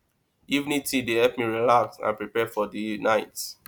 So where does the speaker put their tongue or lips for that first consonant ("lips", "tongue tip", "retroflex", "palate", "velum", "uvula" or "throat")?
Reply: lips